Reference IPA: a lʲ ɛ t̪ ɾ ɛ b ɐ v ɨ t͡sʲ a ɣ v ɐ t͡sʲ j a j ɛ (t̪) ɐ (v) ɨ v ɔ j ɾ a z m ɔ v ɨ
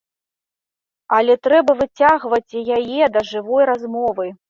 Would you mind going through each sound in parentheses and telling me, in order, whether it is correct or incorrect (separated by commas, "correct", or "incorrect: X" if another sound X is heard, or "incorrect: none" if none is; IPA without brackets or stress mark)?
incorrect: d̪, incorrect: ʐ